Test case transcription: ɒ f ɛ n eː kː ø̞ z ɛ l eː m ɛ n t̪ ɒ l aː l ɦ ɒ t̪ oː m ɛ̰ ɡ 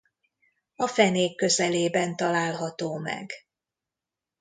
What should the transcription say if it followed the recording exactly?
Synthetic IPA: ɒ f ɛ n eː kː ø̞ z ɛ l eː b ɛ n t̪ ɒ l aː l ɦ ɒ t̪ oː m ɛ̰ ɡ